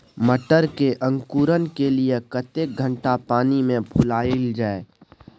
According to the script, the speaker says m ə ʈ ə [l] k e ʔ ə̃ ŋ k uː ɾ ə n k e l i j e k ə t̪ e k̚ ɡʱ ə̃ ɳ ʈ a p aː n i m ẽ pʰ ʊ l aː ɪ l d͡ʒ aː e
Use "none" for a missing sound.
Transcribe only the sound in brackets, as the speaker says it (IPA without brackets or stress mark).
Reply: ɾ